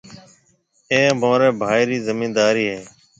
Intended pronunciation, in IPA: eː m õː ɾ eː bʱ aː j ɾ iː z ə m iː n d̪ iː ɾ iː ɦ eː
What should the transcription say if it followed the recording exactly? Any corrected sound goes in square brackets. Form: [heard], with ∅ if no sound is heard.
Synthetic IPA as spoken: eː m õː ɾ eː bʱ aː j ɾ iː z ə m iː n d̪ [aː] ɾ iː ɦ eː

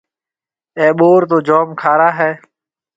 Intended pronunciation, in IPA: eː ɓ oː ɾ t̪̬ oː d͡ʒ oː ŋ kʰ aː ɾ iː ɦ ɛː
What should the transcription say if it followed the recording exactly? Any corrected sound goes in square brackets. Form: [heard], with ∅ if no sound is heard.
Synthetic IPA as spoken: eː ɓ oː ɾ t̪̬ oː d͡ʒ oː [m] kʰ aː ɾ [aː] ɦ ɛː

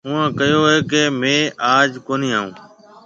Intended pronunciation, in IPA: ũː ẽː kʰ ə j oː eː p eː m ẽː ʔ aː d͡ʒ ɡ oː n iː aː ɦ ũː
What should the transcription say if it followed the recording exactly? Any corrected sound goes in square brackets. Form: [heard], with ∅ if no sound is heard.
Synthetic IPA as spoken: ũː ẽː [k] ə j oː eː [k] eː m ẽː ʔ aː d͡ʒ [k] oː n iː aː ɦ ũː

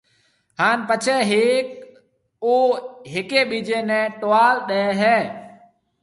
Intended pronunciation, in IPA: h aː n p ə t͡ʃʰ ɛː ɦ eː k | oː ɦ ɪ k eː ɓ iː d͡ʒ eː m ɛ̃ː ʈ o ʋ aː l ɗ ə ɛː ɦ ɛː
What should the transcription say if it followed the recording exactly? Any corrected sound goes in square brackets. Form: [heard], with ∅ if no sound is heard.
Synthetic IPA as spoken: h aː n p ə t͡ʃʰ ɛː ɦ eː k | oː ɦ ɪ k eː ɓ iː d͡ʒ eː [n] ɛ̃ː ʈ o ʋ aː l ɗ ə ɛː ɦ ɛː

